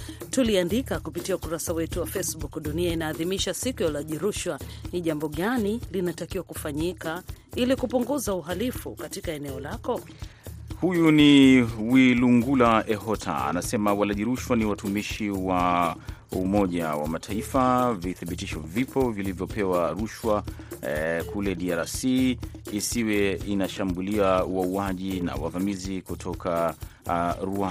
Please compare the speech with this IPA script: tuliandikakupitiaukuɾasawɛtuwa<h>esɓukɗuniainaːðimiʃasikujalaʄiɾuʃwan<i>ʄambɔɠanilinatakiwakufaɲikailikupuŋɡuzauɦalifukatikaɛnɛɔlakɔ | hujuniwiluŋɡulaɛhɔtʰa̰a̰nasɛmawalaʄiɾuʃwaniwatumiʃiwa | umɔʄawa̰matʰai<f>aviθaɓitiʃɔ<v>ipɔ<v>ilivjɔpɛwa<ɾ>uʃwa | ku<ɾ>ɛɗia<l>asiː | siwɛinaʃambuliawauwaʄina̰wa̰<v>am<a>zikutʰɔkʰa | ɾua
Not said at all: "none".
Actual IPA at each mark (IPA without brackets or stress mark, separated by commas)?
f, i, f, v, v, ɾ, l, ɾ, v, i